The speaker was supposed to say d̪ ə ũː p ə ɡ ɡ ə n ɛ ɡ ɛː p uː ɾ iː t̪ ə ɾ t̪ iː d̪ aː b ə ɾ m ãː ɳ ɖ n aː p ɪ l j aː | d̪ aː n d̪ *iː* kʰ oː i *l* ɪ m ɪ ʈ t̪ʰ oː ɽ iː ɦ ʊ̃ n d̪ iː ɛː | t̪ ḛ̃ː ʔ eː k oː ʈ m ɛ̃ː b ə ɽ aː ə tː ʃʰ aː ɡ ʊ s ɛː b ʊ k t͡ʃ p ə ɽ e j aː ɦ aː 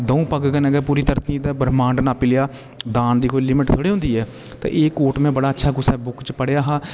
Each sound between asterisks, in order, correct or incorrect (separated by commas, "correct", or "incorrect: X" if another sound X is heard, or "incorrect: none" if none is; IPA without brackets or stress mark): correct, correct